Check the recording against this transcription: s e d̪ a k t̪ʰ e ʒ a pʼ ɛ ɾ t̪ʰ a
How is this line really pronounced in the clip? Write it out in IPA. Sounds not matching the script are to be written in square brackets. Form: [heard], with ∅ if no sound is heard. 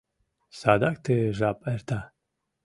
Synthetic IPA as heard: s [a] d̪ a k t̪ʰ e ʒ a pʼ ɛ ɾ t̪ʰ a